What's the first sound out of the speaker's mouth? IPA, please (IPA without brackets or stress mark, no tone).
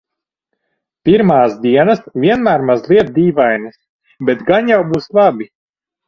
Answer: p